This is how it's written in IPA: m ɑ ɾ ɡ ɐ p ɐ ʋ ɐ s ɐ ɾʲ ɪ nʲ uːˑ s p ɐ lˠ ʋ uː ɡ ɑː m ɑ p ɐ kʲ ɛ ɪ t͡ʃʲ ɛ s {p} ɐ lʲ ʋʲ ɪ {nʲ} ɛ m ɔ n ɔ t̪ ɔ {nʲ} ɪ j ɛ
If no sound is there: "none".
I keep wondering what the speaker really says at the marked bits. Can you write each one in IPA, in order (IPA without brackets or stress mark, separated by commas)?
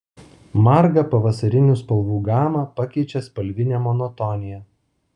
p, nʲ, nʲ